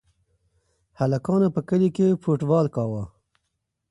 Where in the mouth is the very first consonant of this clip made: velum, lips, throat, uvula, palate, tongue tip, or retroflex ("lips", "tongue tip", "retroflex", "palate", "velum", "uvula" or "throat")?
throat